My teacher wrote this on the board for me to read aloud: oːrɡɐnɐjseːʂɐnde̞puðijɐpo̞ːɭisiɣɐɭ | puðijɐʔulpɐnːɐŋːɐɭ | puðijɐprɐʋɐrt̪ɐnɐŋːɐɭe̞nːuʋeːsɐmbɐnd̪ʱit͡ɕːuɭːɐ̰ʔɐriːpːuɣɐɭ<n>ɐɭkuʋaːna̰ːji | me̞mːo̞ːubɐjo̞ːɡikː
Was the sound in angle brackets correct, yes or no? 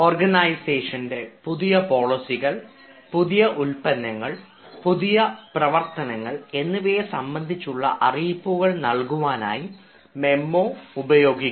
yes